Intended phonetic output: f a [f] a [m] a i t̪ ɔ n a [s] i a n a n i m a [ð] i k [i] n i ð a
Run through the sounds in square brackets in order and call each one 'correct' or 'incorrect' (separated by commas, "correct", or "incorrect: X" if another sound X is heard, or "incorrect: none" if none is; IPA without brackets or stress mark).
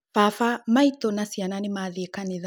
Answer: correct, correct, correct, correct, incorrect: a